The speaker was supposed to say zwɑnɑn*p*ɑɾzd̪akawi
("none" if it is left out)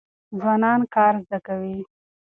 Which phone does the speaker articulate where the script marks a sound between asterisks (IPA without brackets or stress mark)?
k